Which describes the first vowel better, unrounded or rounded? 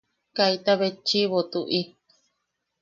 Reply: unrounded